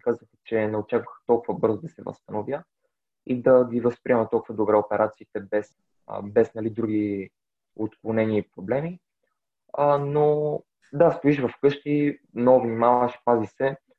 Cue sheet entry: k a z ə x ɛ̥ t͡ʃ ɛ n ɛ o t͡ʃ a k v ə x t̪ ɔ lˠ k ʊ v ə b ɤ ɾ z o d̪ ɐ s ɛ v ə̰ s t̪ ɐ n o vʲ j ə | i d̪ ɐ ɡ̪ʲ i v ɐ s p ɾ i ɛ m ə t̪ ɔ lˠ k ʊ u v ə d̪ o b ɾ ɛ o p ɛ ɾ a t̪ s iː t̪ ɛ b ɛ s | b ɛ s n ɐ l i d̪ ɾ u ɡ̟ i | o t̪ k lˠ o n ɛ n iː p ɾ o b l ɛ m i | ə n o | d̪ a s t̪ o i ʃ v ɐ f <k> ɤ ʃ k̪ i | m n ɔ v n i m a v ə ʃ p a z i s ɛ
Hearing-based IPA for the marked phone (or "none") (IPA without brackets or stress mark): k